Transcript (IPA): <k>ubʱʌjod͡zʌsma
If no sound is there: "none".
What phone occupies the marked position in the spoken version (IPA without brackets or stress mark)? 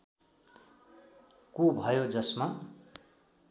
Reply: k